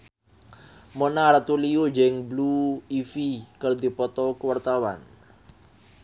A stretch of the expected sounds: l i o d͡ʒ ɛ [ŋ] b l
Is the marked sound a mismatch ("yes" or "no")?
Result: no